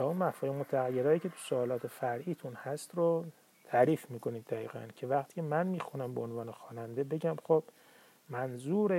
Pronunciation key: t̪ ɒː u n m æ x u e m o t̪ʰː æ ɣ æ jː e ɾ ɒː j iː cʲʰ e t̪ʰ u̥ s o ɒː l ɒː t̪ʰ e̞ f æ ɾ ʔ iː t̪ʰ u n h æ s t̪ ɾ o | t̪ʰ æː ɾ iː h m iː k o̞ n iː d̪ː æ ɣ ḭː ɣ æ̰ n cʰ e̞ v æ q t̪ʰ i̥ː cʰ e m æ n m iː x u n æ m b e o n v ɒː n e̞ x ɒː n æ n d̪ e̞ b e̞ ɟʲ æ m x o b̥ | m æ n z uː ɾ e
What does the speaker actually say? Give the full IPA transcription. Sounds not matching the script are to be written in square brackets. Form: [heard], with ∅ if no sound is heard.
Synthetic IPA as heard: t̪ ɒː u n m æ [f] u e m o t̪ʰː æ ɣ æ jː e ɾ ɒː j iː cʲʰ e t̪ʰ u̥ s o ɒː l ɒː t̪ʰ e̞ f æ ɾ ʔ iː t̪ʰ u n h æ s t̪ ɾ o | t̪ʰ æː ɾ iː [f] m iː k o̞ n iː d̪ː æ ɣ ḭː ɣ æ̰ n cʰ e̞ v æ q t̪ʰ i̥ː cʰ e m æ n m iː x u n æ m b e o n v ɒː n e̞ x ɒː n æ n d̪ e̞ b e̞ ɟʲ æ m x o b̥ | m æ n z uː ɾ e